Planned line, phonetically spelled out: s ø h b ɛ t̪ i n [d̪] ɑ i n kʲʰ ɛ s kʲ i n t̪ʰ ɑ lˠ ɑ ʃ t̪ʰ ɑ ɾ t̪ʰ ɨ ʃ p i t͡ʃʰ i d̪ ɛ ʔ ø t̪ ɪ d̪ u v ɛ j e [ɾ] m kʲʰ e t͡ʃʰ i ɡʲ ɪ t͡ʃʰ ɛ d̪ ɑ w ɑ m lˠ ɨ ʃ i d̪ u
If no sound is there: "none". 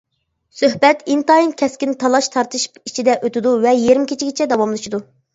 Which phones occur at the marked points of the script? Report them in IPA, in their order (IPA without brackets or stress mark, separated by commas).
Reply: t̪, ɾ